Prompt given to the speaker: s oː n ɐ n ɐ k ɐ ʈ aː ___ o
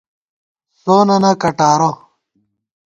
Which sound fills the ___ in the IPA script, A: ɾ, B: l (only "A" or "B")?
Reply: A